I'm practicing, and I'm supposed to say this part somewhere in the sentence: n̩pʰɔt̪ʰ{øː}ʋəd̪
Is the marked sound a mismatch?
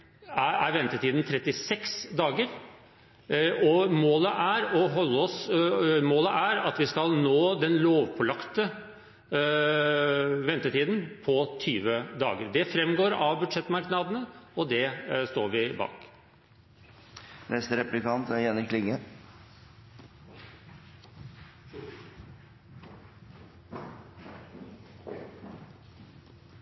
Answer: yes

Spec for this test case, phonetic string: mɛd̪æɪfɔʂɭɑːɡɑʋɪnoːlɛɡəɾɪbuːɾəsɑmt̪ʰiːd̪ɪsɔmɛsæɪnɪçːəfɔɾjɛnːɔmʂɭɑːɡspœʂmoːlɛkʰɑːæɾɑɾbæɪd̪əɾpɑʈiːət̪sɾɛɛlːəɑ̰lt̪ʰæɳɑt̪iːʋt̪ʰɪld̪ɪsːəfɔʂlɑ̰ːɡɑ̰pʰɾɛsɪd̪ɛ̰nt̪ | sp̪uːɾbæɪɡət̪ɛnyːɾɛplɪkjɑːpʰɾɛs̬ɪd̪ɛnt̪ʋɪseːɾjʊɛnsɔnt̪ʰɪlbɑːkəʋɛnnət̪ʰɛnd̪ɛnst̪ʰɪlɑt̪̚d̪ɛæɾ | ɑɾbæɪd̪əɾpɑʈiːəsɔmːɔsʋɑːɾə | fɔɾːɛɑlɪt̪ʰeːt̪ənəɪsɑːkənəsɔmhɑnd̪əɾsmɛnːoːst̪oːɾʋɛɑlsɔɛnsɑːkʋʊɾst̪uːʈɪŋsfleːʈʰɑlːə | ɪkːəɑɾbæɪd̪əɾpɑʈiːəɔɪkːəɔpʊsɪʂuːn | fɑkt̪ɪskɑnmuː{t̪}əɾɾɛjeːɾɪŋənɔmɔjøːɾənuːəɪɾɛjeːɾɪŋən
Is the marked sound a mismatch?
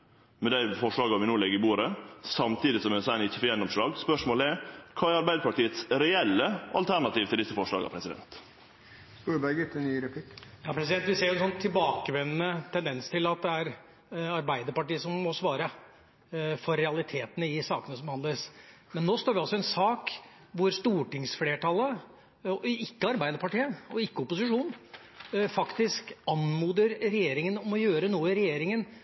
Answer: yes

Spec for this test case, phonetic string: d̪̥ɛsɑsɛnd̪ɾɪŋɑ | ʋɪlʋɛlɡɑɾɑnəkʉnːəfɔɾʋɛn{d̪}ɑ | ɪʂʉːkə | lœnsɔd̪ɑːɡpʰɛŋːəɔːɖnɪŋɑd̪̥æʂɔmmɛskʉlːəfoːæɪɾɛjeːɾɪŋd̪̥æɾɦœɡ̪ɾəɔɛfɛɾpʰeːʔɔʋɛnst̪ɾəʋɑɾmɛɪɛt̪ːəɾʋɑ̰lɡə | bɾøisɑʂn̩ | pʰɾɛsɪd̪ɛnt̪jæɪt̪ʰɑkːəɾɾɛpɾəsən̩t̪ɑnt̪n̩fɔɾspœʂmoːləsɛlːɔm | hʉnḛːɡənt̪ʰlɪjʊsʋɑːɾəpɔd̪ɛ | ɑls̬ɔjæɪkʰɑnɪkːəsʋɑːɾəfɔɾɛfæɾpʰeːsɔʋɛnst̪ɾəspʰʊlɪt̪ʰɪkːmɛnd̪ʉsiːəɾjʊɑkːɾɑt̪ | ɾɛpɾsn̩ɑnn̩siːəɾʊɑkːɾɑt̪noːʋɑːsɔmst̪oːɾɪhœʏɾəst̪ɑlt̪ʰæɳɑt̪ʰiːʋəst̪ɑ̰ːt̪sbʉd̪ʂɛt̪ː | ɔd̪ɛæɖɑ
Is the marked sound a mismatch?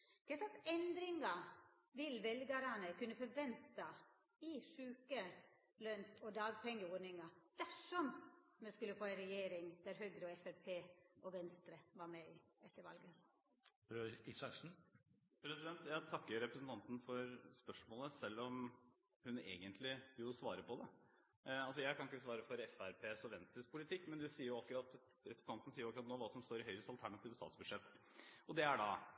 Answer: yes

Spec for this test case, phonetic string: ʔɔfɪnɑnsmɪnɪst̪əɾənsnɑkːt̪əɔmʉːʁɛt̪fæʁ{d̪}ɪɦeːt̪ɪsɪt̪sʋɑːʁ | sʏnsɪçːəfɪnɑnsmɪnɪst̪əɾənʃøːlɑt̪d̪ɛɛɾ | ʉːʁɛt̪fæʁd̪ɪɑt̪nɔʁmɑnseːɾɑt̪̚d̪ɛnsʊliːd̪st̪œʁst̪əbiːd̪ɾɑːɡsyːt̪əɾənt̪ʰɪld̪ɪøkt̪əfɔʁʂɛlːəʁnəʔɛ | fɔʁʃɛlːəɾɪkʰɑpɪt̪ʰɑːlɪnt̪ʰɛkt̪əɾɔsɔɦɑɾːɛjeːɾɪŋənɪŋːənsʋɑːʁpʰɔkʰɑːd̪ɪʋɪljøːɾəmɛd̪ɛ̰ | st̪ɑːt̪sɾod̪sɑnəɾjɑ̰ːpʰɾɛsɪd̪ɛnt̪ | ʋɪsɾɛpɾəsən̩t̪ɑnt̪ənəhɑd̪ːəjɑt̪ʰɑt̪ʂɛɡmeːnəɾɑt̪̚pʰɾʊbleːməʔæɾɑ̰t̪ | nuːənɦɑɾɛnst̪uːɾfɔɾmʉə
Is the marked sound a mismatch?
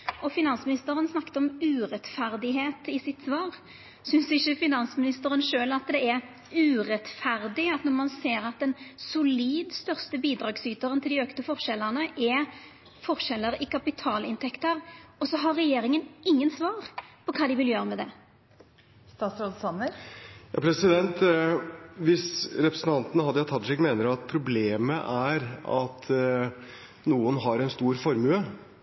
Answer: no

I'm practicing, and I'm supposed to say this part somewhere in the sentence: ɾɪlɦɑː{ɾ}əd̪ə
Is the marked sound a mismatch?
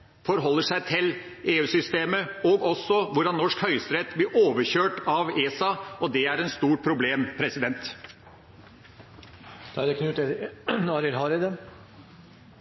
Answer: no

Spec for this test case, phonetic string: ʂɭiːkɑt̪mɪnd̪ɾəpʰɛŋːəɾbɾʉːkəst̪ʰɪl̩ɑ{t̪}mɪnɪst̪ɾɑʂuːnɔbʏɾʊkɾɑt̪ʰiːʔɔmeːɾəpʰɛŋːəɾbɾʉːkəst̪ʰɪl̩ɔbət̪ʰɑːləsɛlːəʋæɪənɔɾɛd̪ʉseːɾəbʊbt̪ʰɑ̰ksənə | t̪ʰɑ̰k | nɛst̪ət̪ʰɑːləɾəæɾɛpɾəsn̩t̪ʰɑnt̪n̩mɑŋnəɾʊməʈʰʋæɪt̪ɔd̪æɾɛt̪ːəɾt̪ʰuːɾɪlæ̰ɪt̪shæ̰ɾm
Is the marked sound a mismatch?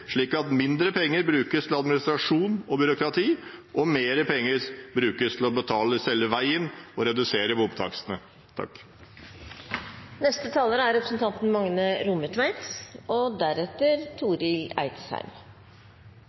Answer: yes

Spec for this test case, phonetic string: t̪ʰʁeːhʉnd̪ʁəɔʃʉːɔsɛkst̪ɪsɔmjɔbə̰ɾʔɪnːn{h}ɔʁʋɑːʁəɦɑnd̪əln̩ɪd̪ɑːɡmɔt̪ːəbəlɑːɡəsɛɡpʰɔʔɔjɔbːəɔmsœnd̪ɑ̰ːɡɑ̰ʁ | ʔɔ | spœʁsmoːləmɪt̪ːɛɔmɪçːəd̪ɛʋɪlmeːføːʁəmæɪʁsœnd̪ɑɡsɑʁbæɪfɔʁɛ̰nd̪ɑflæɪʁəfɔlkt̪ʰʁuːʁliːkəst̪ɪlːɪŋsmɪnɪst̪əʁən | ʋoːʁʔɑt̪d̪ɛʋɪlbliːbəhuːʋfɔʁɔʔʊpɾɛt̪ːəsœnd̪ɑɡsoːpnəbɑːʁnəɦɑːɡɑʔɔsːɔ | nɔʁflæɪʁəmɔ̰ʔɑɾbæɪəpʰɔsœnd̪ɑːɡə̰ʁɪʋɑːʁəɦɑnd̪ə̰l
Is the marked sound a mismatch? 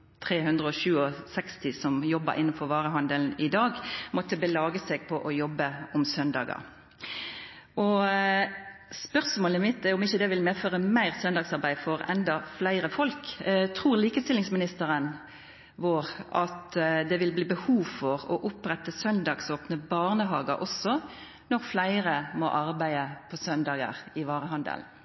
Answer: yes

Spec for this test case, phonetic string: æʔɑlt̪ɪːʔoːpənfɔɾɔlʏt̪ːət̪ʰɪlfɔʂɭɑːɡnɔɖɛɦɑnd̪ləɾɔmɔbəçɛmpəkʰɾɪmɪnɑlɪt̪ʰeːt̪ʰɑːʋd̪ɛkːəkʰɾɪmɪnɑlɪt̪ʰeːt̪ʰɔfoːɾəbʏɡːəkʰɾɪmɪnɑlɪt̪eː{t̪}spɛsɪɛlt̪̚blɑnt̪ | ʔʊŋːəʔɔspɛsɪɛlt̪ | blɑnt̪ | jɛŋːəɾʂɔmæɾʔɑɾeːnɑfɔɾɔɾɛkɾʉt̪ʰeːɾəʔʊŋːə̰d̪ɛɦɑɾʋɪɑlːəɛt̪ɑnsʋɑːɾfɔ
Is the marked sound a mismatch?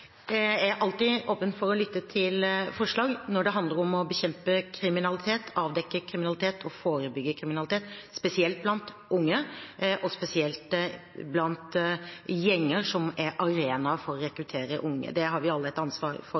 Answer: no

